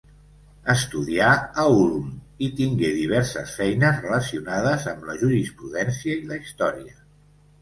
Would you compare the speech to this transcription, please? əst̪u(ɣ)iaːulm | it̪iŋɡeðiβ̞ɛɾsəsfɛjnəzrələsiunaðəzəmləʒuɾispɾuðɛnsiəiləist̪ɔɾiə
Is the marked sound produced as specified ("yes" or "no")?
no